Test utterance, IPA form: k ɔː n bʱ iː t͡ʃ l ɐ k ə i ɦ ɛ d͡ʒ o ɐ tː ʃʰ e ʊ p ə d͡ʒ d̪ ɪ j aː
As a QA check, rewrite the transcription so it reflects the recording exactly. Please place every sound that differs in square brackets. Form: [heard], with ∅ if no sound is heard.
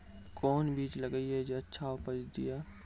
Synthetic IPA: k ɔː n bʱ iː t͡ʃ l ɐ [ɡ] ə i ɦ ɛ d͡ʒ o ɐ tː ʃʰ [a] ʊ p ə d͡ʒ d̪ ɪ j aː